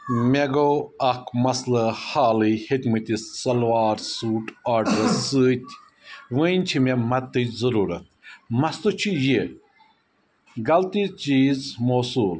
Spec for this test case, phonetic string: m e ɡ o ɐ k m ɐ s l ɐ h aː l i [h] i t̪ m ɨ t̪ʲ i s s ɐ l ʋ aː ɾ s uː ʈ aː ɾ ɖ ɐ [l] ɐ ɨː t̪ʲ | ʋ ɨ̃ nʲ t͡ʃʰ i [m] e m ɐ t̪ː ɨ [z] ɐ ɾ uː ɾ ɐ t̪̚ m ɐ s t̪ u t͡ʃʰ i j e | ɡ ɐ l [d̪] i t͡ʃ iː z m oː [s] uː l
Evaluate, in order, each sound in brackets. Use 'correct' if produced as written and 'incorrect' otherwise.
correct, incorrect: ɾ, correct, correct, incorrect: t̪, correct

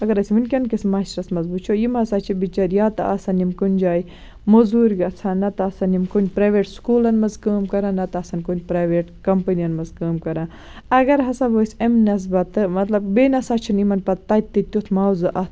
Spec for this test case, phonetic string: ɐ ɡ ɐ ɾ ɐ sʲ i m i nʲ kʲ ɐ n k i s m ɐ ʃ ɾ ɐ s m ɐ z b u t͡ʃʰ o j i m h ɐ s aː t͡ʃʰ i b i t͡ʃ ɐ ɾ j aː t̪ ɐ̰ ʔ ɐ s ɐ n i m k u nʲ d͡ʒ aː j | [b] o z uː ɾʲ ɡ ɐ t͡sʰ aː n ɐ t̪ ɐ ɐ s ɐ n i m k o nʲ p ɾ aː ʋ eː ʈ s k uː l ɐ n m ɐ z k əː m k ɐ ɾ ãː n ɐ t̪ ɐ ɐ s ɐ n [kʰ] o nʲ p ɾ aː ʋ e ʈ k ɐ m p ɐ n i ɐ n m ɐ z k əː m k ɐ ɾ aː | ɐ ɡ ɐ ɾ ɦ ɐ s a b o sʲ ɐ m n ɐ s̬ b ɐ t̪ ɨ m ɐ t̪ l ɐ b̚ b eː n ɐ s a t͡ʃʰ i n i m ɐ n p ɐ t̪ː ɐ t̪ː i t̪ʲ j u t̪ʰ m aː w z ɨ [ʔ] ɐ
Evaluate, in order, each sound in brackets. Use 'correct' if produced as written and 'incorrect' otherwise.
incorrect: m, incorrect: k, correct

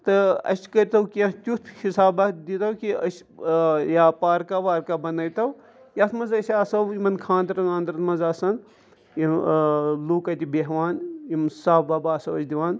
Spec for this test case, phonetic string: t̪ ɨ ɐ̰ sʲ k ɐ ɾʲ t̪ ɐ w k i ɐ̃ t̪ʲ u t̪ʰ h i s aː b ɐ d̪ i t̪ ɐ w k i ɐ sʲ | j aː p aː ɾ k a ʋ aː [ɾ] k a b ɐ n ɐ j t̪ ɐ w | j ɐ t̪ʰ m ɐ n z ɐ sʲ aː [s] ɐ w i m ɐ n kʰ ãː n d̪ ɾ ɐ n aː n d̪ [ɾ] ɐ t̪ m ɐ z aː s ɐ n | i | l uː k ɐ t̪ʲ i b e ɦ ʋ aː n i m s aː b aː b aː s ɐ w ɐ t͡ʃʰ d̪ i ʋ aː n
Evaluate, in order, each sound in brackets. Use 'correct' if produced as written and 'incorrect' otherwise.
correct, correct, correct

